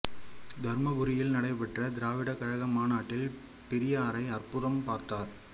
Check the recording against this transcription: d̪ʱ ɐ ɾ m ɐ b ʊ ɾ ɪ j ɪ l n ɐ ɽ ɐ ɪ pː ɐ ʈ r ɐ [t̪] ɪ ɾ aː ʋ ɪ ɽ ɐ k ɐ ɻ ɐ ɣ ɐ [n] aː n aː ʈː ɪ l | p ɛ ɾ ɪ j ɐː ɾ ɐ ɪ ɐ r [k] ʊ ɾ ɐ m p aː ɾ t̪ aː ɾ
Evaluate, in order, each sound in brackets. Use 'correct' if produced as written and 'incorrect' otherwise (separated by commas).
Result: incorrect, incorrect, incorrect